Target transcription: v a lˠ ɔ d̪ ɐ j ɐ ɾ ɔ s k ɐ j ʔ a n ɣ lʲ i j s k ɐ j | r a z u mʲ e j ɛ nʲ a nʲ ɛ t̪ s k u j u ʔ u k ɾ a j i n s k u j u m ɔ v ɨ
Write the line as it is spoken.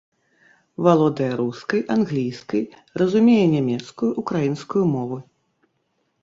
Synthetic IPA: v a lˠ ɔ d̪ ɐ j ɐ ɾ u s k ɐ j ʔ a n ɣ lʲ i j s k ɐ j | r ɐ z u mʲ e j ɛ nʲ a mʲ ɛ t̪ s k u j u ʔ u k ɾ a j i n s k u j u m ɔ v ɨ

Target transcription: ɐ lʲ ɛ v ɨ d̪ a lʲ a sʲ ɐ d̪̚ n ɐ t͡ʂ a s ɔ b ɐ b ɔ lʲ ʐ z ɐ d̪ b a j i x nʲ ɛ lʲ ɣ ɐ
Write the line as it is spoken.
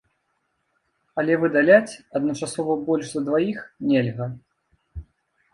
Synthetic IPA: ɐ lʲ ɛ v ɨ d̪ a lʲ a t͡sʲ ɐ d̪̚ n ɐ t͡ʂ a s ɔ v ɐ b ɔ lʲ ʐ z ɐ d̪ v a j i x nʲ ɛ lʲ ɣ ɐ

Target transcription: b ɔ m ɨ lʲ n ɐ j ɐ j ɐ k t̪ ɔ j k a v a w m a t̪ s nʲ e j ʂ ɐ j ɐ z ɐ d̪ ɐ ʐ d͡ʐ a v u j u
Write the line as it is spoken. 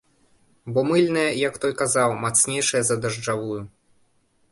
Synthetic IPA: b ɔ m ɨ lʲ n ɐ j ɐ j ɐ k t̪ ɔ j k a z a w m a t̪ s nʲ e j ʂ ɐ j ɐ z ɐ d̪ ɐ ʐ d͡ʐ a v u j u

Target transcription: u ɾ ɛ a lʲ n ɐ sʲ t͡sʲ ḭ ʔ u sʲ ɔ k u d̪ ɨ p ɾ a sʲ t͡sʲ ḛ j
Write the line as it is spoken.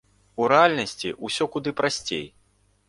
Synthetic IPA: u ɾ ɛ a lʲ n ɐ sʲ t͡sʲ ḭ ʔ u sʲ ɔ k u d̪ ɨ p ɾ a sʲ t͡sʲ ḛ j

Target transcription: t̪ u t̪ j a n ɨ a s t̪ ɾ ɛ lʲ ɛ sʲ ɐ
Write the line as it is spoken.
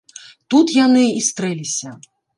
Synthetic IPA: t̪ u t̪ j a n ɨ i s t̪ ɾ ɛ lʲ i sʲ ɐ

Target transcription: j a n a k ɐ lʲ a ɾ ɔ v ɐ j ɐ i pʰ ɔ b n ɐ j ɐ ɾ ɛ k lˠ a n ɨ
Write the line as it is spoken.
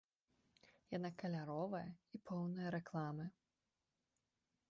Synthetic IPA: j a n a k ɐ lʲ a ɾ ɔ v ɐ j ɐ i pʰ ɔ w n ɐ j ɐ ɾ ɛ k lˠ a m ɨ

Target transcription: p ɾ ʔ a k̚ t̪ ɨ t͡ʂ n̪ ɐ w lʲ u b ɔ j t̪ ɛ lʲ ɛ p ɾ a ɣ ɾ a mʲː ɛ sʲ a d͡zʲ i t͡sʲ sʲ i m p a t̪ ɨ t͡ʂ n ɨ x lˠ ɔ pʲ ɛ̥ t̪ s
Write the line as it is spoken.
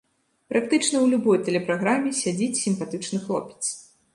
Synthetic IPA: p ɾ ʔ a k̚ t̪ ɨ t͡ʂ n̪ ɐ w lʲ u b ɔ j t̪ ɛ lʲ ɛ p ɾ a ɣ ɾ a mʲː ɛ sʲ a d͡zʲ i t͡sʲ sʲ i m p a t̪ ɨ t͡ʂ n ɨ x lˠ ɔ pʲ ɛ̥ t̪ s

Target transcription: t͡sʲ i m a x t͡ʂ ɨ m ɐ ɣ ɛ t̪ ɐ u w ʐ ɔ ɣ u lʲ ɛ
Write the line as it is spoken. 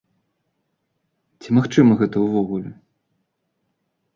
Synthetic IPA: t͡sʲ i m a x t͡ʂ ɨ m ɐ ɣ ɛ t̪ ɐ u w v ɔ ɣ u lʲ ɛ

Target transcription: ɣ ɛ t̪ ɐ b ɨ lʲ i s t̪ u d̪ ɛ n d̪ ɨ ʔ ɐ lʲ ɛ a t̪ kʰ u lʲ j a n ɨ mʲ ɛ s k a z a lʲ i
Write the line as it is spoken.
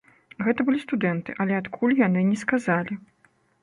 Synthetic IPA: ɣ ɛ t̪ ɐ b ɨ lʲ i s t̪ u d̪ ɛ n t̪ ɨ ʔ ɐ lʲ ɛ a t̪ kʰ u lʲ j a n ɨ nʲ ɛ s k a z a lʲ i

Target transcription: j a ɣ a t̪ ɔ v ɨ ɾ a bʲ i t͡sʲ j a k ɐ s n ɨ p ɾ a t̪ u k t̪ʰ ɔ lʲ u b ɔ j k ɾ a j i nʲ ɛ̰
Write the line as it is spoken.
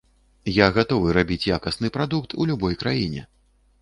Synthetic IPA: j a ɣ a t̪ ɔ v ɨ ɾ a bʲ i t͡sʲ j a k ɐ s n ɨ p ɾ a d̪ u k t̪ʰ u lʲ u b ɔ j k ɾ a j i nʲ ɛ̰

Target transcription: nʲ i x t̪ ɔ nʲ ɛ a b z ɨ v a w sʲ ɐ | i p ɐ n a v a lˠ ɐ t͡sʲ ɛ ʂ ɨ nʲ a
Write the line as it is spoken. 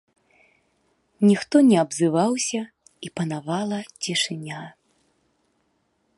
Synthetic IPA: nʲ i x t̪ ɔ nʲ ɛ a b z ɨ v a w sʲ ɐ | i p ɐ n a v a lˠ ɐ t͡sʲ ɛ ʂ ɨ nʲ a

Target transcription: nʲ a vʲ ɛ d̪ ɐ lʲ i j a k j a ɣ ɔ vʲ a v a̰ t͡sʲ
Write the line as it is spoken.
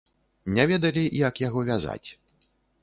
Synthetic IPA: nʲ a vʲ ɛ d̪ ɐ lʲ i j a k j a ɣ ɔ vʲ a z a̰ t͡sʲ

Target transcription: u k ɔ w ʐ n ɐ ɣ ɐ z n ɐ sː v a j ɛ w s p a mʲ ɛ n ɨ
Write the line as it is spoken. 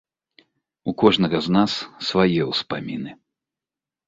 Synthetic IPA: u k ɔ ʐ n ɐ ɣ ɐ z n a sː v a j ɛ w s p a mʲ i n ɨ

